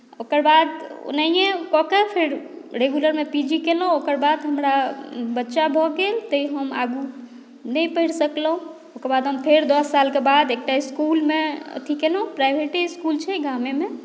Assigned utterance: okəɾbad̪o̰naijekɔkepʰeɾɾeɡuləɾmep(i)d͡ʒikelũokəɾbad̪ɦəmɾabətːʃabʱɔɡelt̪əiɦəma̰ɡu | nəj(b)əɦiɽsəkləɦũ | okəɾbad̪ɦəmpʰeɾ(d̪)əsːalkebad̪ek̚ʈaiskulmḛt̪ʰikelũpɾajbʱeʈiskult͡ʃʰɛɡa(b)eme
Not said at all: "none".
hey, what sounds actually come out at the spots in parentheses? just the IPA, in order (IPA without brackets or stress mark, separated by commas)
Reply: i, p, d̪, m